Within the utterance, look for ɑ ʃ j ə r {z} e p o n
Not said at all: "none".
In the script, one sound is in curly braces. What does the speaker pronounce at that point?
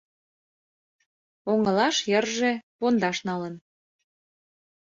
ʒ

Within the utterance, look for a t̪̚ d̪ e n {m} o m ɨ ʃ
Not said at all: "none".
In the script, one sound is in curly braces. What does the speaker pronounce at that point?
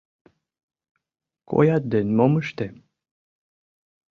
m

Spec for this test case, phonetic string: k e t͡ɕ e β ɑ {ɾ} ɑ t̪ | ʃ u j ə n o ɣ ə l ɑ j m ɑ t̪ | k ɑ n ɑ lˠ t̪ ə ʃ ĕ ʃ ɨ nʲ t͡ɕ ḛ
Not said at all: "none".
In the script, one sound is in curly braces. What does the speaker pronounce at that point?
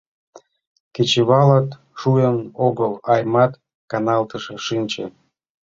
l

